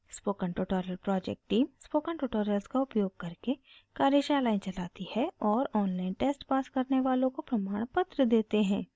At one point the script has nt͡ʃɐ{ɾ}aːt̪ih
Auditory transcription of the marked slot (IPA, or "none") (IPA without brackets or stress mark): l